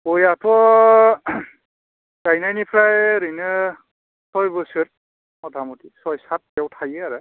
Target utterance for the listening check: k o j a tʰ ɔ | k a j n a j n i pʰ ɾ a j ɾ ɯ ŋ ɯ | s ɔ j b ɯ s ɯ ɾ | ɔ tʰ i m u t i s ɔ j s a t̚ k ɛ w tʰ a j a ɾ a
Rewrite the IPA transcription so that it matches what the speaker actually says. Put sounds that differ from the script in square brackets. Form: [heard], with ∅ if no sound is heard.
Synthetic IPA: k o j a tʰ ɔ | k a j n a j n i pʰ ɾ a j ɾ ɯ [n] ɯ | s ɔ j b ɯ s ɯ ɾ | ɔ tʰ [a] m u t i s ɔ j s a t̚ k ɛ w tʰ a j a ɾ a